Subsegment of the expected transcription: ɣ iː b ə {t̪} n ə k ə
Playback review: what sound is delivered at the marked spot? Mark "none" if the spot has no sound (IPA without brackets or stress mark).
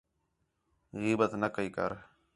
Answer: t̪